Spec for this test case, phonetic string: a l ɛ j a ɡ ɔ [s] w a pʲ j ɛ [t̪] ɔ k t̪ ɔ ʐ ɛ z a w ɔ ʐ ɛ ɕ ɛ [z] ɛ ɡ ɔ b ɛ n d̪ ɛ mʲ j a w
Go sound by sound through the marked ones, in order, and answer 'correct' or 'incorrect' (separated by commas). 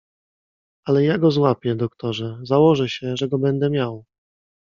incorrect, incorrect, incorrect